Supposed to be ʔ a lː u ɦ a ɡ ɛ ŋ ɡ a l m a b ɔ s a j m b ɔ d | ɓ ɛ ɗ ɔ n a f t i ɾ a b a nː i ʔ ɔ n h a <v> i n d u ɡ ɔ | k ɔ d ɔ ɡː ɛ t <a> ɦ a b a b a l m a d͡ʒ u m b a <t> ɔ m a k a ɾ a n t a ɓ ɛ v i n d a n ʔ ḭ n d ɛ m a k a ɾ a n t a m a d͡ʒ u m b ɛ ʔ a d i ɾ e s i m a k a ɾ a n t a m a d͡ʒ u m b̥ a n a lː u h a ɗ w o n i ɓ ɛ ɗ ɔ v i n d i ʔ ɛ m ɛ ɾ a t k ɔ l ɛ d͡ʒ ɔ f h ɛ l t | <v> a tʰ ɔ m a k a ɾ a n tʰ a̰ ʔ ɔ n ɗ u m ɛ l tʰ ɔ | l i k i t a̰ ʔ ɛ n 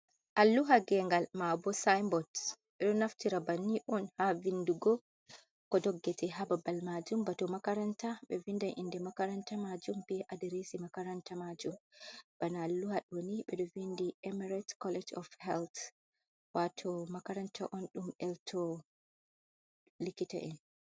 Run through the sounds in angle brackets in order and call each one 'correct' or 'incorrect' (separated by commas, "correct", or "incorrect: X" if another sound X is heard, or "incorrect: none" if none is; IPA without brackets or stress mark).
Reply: correct, incorrect: ɛ, correct, incorrect: w